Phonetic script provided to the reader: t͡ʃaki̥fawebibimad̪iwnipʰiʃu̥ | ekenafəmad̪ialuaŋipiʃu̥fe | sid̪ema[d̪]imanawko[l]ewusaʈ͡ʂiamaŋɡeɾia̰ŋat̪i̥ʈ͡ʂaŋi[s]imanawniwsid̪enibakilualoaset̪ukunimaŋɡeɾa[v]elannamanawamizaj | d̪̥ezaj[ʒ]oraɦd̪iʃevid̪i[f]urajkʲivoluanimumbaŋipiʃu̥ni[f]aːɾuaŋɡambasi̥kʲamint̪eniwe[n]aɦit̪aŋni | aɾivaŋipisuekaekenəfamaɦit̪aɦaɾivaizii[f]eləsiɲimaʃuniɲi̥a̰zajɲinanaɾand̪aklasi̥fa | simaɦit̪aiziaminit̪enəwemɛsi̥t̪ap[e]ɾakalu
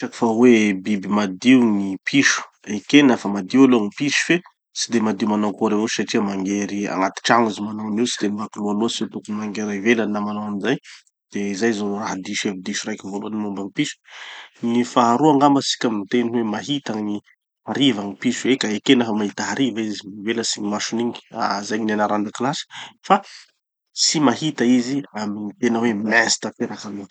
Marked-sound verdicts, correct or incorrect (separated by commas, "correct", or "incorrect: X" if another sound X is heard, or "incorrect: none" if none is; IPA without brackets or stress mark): correct, incorrect: ɾ, incorrect: z, correct, incorrect: z, incorrect: ʃ, correct, incorrect: m, incorrect: v, correct